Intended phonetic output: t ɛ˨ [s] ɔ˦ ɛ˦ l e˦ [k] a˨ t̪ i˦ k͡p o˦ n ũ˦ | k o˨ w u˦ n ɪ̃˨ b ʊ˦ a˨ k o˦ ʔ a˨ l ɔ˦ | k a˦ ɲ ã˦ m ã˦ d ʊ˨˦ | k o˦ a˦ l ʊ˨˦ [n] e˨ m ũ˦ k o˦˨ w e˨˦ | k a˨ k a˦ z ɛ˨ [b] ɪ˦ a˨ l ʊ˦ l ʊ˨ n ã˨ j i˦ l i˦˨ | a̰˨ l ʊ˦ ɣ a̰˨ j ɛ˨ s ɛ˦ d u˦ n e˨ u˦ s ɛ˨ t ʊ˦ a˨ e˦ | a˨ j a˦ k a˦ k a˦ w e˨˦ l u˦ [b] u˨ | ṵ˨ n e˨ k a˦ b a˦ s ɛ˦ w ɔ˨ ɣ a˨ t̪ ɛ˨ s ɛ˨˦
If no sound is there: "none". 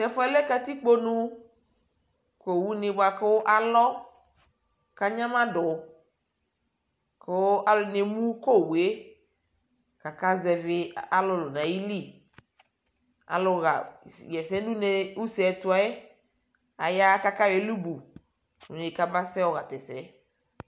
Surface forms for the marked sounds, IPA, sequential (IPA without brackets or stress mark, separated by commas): f, k, n, v, b